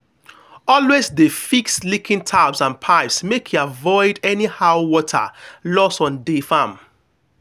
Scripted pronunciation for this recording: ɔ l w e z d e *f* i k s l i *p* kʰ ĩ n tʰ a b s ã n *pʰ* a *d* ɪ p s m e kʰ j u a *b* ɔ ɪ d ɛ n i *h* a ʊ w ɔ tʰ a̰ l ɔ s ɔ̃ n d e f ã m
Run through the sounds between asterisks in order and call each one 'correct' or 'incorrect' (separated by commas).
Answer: correct, incorrect, correct, incorrect, incorrect, correct